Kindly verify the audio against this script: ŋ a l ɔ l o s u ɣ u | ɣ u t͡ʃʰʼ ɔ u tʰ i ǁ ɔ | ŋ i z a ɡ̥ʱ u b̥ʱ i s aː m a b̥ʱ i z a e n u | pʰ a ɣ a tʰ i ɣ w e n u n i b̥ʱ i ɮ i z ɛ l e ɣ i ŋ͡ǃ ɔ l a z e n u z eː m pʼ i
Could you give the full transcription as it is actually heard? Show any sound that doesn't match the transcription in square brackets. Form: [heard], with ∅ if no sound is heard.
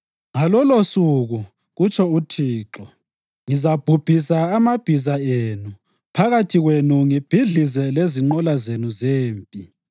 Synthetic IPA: ŋ a l ɔ l o s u ɣ u | ɣ u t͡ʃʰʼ ɔ u tʰ [iː] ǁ ɔ | ŋ i z a [b̥ʱ] u b̥ʱ i s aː m a b̥ʱ i z a e n u | pʰ a ɣ a tʰ i ɣ w e n u [ŋ] i b̥ʱ i ɮ i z ɛ l e [z] i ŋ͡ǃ ɔ l a z e n u z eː m pʼ i